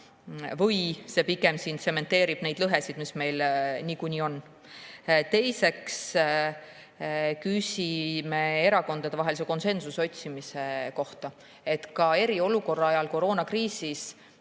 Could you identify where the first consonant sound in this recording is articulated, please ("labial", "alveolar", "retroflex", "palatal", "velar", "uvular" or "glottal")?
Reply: labial